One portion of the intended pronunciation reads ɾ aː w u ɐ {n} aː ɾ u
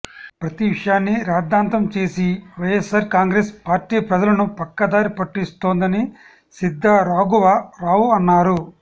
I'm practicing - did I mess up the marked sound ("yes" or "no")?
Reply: yes